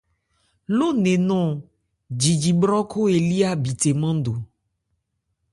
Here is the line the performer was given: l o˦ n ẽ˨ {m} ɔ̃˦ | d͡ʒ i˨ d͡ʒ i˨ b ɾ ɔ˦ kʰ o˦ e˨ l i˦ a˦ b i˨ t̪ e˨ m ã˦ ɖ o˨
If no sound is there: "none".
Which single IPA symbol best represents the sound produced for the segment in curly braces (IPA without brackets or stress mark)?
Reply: n